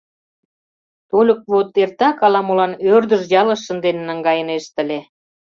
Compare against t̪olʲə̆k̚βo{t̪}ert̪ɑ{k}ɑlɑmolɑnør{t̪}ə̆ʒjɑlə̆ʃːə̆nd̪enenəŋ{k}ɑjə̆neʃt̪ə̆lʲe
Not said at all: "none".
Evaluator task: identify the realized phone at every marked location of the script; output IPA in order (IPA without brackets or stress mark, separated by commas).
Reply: t̪, k, d̪, ɡ